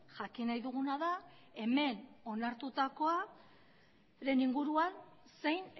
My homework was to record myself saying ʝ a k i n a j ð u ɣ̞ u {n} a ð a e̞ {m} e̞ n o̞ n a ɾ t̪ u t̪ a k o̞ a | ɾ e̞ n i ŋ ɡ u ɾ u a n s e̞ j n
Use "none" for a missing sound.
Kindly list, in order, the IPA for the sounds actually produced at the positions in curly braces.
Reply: n, m

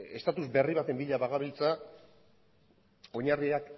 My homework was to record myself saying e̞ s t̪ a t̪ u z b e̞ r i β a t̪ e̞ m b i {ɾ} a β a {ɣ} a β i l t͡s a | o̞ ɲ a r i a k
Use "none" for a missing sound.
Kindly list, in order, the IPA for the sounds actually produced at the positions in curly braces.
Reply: ʎ, ɣ

